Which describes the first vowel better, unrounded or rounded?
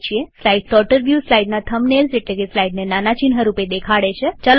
unrounded